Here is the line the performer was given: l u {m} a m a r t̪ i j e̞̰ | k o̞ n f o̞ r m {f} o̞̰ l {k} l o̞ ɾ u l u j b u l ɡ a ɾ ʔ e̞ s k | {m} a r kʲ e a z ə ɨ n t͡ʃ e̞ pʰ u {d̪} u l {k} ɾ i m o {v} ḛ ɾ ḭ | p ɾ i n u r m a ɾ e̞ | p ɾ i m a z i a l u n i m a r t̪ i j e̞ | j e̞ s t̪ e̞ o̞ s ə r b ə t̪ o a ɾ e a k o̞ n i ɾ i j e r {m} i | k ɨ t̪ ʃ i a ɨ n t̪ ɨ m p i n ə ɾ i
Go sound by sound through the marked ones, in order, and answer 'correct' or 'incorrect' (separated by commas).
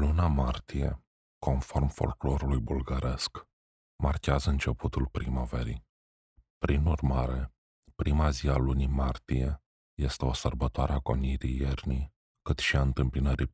incorrect, correct, correct, correct, incorrect, incorrect, correct, incorrect